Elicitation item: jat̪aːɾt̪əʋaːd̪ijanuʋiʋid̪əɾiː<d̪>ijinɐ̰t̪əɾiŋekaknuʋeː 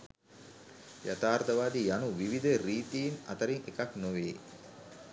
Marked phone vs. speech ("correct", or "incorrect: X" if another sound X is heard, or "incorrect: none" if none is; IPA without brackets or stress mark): incorrect: t̪